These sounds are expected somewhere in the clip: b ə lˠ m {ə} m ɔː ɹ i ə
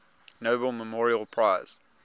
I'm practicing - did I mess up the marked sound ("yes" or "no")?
no